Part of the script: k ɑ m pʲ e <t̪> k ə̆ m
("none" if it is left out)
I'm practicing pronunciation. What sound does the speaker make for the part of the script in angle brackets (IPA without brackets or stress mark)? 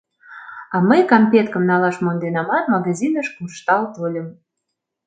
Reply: t̪